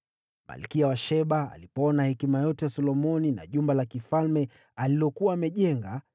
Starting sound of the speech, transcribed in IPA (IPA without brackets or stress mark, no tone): m